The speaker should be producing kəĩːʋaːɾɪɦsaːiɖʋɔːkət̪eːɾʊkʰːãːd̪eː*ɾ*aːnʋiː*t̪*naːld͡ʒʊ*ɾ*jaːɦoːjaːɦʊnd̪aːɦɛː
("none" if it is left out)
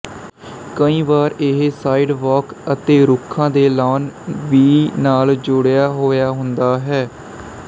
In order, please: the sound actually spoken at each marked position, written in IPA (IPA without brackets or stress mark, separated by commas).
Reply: l, none, ɽ